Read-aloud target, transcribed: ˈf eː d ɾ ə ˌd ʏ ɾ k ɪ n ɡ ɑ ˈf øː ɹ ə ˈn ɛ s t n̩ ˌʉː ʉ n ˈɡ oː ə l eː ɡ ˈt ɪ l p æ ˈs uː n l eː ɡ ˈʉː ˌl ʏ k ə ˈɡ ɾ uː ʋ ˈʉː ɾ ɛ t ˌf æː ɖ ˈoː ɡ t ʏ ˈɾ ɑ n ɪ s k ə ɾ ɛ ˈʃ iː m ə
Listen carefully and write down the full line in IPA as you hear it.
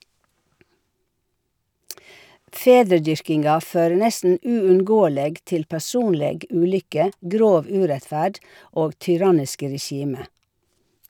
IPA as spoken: ˈf eː d ɾ ə ˌd ʏ ɾ k ɪ n ɡ ɑ ˈf øː ɹ ə ˈn ɛ s t n̩ ˌʉː ʉ n ˈɡ oː ə l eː ɡ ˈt ɪ l p æ ˈs uː n l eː ɡ ˈʉː ˌl ʏ k ə ˈɡ ɾ oː ʋ ˈʉː ɾ ɛ t ˌf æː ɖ ˈoː ɡ t ʏ ˈɾ ɑ n ɪ s k ə ɾ ɛ ˈʃ iː m ə